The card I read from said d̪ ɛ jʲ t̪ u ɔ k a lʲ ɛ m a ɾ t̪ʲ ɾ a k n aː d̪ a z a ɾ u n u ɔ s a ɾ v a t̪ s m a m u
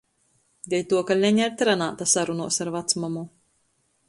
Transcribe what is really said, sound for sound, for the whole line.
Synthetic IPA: d̪ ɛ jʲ t̪ u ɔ k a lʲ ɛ ɲ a ɾ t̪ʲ ɾ a n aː t̪ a s a ɾ u n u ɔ s a ɾ v a t̪ s m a m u

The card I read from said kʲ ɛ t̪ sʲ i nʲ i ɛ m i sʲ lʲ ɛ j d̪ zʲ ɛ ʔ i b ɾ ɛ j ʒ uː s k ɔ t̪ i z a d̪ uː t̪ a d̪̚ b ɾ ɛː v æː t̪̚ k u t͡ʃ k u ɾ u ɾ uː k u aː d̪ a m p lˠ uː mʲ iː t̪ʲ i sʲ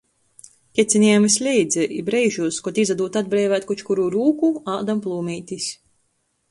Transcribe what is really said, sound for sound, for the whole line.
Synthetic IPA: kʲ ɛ t̪ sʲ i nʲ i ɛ m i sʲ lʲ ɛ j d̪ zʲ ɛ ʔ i b ɾ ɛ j ʒ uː s k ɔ t̪ i z a d̪ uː t̪ a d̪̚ b ɾ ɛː v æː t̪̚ k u t͡ʃ k u ɾ u ɾ uː k u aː d̪ a m p lˠ uː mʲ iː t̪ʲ i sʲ

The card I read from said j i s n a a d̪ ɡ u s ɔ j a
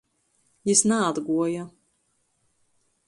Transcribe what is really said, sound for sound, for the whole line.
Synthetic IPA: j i s n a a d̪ ɡ u ɔ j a

